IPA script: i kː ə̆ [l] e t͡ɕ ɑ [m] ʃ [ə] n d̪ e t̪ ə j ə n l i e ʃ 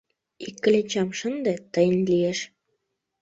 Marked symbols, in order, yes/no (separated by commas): yes, yes, yes